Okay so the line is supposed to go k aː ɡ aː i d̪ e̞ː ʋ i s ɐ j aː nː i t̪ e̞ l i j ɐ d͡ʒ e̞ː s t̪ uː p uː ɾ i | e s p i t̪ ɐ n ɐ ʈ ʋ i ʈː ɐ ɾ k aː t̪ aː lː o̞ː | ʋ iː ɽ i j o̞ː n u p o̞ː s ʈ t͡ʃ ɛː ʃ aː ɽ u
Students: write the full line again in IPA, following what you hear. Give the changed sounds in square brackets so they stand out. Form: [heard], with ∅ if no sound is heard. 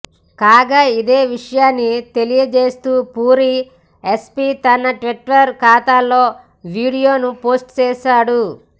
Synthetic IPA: k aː ɡ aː i d̪ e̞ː ʋ i [ʂ] ɐ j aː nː i t̪ e̞ l i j ɐ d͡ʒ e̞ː s t̪ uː p uː ɾ i | e s p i t̪ ɐ n ɐ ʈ ʋ i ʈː ɐ ɾ k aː t̪ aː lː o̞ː | ʋ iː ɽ i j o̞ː n u p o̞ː s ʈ t͡ʃ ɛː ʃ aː ɽ u

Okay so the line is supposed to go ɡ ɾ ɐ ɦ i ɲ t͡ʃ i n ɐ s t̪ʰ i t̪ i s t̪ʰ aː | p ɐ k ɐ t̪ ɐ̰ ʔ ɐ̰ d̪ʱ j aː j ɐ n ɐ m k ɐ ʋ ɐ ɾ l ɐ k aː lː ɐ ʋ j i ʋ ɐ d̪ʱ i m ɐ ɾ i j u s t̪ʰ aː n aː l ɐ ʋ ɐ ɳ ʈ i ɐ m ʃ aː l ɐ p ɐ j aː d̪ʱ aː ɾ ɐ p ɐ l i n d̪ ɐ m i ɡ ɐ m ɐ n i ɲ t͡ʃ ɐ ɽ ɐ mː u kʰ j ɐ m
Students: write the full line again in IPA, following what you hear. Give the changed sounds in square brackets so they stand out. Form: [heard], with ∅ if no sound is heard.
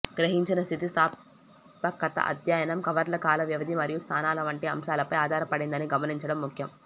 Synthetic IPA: ɡ ɾ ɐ ɦ i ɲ t͡ʃ i n ɐ s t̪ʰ i t̪ i s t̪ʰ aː | p ɐ k ɐ t̪ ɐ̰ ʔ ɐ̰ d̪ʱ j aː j ɐ n ɐ m k ɐ ʋ ɐ ɾ l ɐ k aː [l] ɐ ʋ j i ʋ ɐ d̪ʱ i m ɐ ɾ i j u s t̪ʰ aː n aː l ɐ ʋ ɐ ɳ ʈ i ɐ m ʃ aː l ɐ p ɐ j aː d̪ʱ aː ɾ ɐ p ɐ [ɽ] i n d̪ ɐ [n] i ɡ ɐ m ɐ n i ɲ t͡ʃ ɐ ɽ ɐ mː u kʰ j ɐ m

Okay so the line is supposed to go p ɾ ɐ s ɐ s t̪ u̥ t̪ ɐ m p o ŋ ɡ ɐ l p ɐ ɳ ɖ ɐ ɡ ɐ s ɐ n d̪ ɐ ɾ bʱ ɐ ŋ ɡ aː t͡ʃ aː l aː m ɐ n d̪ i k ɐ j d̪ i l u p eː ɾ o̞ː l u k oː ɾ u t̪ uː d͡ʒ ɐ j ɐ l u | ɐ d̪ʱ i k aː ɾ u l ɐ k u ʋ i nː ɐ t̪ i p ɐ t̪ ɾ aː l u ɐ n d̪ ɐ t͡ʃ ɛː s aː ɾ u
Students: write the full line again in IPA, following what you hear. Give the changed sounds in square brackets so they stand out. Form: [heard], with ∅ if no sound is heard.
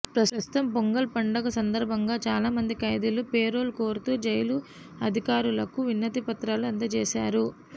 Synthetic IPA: p ɾ ɐ s ɐ s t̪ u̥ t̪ ɐ m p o ŋ ɡ ɐ l p ɐ ɳ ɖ ɐ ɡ ɐ s ɐ n d̪ ɐ ɾ bʱ ɐ ŋ ɡ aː t͡ʃ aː l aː m ɐ n d̪ i k ɐ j d̪ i l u p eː ɾ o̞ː l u k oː ɾ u t̪ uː d͡ʒ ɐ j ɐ l u | ɐ d̪ʱ i k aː ɾ u l ɐ k u ʋ i nː ɐ t̪ i p ɐ t̪ ɾ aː l u ɐ n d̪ ɐ t͡ʃ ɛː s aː ɾ u

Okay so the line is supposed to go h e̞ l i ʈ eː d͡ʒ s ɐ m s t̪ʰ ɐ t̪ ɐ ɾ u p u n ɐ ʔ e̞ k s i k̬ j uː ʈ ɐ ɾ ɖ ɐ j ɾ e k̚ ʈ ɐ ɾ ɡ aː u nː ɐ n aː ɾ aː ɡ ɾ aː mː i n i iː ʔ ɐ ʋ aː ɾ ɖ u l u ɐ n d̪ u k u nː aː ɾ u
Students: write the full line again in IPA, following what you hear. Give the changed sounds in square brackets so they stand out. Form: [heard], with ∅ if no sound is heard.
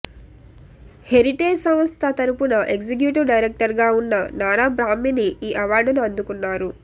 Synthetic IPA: h e̞ [ɾ] i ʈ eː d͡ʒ s ɐ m s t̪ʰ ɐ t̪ ɐ ɾ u p u n ɐ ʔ e̞ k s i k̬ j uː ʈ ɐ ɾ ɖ ɐ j ɾ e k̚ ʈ ɐ ɾ ɡ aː u nː ɐ n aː ɾ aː [b] ɾ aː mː i n i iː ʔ ɐ ʋ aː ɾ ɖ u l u ɐ n d̪ u k u nː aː ɾ u

